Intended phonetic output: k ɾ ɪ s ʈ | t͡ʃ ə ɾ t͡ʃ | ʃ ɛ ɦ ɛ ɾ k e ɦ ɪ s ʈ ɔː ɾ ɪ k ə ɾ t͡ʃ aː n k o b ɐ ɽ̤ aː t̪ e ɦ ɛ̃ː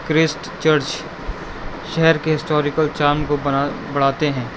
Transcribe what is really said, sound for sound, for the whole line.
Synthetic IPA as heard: k ɾ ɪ s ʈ | t͡ʃ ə ɾ t͡ʃ | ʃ ɛ ɦ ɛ ɾ k e ɦ ɪ s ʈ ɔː ɾ ɪ k ə l t͡ʃ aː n k o b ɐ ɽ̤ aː t̪ e ɦ ɛ̃ː